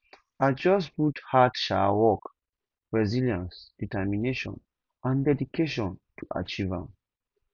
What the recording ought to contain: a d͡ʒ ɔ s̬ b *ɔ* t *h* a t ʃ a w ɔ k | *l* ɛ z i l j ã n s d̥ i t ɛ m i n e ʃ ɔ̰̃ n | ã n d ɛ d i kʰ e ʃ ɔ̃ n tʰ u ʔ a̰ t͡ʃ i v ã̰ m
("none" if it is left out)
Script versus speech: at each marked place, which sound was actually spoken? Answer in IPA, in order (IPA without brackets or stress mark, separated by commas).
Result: u, h, ɹ